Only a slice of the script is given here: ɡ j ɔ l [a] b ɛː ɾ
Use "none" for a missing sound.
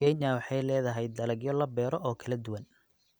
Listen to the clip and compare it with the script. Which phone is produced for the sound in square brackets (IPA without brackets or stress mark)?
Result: ɐ